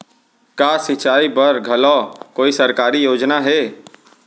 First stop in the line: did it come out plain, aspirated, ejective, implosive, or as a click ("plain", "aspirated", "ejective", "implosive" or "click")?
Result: plain